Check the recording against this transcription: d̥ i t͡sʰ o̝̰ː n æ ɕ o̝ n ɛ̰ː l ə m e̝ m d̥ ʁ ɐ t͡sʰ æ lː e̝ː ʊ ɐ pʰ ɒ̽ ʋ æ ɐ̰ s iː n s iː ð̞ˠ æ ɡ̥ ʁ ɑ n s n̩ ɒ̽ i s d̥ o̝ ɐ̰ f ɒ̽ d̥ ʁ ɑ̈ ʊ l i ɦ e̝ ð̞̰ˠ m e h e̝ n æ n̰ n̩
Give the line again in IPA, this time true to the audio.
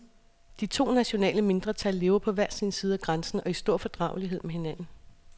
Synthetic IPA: d̥ i t͡sʰ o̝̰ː n æ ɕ o̝ n ɛ̰ː l ə m e̝ n d̥ ʁ ɐ t͡sʰ æ lː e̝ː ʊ ɐ pʰ ɒ̽ ʋ æ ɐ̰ s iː n s iː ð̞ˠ æ ɡ̥ ʁ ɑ n s n̩ ɒ̽ i s d̥ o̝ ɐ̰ f ɒ̽ d̥ ʁ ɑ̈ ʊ l i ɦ e̝ ð̞̰ˠ m e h e̝ n æ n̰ n̩

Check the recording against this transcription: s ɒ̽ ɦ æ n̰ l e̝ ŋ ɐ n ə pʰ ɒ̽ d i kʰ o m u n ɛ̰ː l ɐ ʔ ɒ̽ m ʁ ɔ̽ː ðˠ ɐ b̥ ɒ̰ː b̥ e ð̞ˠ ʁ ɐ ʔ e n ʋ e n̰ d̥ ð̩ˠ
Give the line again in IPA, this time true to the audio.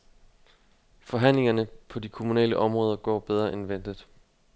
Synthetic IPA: f ɒ̽ ɦ æ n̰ l e̝ ŋ ɐ n ə pʰ ɒ̽ d i kʰ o m u n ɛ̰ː l ə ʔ ɒ̽ m ʁ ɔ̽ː ðˠ ɐ ɡ̥ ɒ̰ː b̥ e ð̞ˠ ʁ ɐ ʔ e n ʋ e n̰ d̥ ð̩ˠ

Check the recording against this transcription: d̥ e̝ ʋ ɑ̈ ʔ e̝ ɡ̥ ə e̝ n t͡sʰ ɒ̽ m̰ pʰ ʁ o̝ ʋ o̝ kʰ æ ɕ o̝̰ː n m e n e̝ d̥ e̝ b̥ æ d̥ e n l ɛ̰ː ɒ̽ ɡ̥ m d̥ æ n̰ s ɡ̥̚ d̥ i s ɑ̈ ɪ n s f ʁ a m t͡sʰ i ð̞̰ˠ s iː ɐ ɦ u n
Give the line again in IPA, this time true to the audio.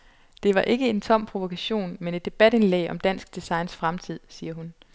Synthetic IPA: d̥ e̝ ʋ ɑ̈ ʔ e̝ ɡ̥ ə e̝ n t͡sʰ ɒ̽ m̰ pʰ ʁ o̝ ʋ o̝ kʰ æ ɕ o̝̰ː n m e n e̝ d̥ e̝ b̥ æ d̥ e n l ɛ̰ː ɒ̽ m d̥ æ n̰ s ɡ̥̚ d̥ i s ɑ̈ ɪ n s f ʁ a m t͡sʰ i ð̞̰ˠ s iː ɐ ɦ u n

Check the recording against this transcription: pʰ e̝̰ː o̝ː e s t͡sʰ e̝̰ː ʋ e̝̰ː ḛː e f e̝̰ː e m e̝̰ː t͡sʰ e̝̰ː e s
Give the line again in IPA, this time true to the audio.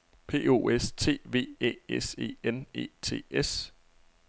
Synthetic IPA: pʰ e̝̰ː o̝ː e s t͡sʰ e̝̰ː ʋ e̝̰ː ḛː e s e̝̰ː e n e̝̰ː t͡sʰ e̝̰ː e s

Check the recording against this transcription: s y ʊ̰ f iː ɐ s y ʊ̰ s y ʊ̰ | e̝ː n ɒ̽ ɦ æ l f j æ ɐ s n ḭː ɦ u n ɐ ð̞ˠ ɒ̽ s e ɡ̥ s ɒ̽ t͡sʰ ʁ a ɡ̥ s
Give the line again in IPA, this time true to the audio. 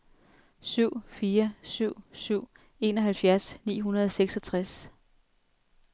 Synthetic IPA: s y ʊ̰ f iː ɐ s y ʊ̰ s y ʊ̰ | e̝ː n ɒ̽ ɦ æ l f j æ ɐ s n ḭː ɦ u n ɐ ð̞ˠ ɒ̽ s e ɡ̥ s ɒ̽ t͡sʰ ʁ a s

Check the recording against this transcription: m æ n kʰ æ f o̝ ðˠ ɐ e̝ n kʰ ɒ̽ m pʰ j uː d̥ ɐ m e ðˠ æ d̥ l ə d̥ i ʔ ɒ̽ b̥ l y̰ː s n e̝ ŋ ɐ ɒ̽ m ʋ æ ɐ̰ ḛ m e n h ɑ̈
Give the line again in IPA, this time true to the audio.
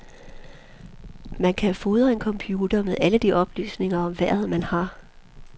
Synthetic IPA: m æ n kʰ æ f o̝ ðˠ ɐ e̝ n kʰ ɒ̽ m pʰ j uː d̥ ɐ m e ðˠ æ l ə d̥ i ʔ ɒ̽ b̥ l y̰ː s n e̝ ŋ ɐ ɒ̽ m ʋ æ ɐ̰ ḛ m æ n h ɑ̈

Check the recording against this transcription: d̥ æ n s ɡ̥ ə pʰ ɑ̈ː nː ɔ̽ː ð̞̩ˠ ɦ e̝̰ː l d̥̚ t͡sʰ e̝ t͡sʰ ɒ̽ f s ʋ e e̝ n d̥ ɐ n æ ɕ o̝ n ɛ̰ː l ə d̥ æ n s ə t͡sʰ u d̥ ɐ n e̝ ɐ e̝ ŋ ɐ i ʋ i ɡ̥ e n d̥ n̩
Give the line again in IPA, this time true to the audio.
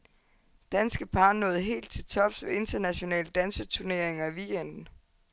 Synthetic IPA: d̥ æ n s ɡ̥ ə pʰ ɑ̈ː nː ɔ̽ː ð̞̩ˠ ɦ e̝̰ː l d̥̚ t͡sʰ e̝ t͡sʰ ɒ̽ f s ʋ e e̝ n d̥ ɐ n æ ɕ o̝ n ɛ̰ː l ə d̥ æ n s ə t͡sʰ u ɐ n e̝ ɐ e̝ ŋ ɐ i ʋ i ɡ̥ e n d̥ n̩

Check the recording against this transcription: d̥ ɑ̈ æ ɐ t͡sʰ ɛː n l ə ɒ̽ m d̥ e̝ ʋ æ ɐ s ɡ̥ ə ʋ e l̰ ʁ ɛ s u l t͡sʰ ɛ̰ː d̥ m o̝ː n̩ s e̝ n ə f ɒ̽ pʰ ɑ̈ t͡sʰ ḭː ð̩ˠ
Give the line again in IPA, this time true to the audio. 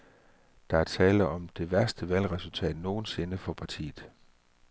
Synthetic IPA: d̥ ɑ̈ æ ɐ t͡sʰ ɛː l ə ɒ̽ m d̥ e̝ ʋ æ ɐ s d̥ ə ʋ æ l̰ ʁ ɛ s u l t͡sʰ ɛ̰ː d̥ n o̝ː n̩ s e̝ n ə f ɒ̽ pʰ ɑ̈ t͡sʰ ḭː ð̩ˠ

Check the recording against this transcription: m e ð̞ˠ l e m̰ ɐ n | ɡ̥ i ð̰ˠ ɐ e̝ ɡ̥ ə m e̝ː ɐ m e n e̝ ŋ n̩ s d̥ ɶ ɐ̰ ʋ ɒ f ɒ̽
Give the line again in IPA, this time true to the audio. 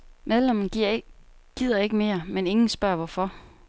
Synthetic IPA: m e ð̞ˠ l e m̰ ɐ n | ɡ̥ i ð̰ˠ ɐ e̝ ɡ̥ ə m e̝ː ɐ m e n e̝ ŋ n̩ s b̥ ɶ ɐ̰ ʋ ɒ f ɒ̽

